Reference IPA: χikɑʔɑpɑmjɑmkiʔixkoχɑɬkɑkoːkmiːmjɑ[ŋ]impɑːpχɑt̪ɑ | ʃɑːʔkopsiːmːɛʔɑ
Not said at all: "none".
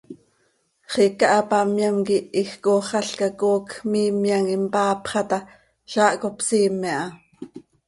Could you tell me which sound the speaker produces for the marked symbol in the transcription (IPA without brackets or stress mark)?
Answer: ŋ